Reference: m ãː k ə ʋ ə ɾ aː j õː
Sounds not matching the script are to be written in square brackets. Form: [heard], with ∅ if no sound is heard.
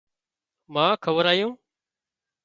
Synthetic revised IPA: m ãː [kʰ] ə ʋ ə ɾ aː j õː